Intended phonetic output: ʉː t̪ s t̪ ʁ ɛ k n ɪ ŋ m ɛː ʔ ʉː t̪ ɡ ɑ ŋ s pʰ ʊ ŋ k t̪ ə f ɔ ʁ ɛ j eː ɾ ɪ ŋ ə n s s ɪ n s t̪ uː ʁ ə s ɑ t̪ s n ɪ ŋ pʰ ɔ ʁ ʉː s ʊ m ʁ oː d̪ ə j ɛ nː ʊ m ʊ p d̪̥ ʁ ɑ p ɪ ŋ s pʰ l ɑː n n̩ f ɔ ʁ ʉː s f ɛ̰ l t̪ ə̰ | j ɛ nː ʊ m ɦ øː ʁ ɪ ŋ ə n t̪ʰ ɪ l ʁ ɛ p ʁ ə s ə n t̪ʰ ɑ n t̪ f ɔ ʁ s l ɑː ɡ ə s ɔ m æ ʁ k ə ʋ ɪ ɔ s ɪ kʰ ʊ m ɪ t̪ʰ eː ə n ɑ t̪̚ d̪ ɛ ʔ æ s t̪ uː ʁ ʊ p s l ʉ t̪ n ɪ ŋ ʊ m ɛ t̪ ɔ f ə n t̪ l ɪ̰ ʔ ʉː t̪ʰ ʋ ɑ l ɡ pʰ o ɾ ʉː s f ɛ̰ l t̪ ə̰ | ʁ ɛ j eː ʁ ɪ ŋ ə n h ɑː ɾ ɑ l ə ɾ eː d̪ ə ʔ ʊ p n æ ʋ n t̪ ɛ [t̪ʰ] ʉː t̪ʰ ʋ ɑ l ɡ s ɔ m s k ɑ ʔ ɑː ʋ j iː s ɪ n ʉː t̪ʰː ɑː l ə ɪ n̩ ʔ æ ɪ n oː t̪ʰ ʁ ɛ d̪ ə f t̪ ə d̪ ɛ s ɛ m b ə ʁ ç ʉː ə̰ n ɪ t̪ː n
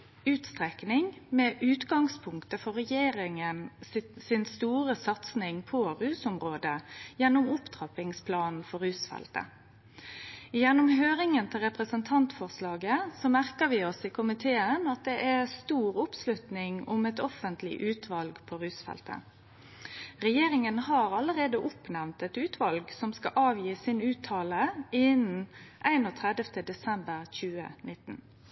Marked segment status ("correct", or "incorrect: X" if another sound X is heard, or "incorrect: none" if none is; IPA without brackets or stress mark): incorrect: t̪